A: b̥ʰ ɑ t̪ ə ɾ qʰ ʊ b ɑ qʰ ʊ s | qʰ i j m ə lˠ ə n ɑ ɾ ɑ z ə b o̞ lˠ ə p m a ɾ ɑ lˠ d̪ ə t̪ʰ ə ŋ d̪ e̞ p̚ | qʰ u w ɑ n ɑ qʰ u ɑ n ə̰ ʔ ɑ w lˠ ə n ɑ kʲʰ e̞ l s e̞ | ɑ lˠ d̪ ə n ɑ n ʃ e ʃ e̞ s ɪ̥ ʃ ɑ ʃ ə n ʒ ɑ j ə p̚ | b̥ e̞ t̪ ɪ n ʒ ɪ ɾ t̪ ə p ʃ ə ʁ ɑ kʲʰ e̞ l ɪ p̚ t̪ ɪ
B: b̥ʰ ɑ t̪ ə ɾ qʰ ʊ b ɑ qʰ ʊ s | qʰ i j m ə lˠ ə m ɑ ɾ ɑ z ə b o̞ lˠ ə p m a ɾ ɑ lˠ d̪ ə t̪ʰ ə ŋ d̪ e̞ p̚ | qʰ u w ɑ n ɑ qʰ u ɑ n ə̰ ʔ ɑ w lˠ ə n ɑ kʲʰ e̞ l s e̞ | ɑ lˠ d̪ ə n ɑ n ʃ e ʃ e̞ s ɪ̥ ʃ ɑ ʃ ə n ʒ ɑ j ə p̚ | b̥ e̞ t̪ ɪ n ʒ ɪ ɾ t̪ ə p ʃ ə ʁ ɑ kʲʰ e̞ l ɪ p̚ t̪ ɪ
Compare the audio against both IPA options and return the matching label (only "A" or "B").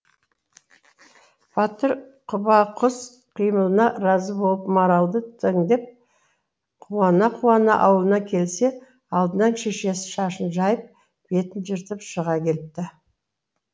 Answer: A